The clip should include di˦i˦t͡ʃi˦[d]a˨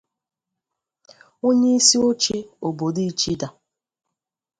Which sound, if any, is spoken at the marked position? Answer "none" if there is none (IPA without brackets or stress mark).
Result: d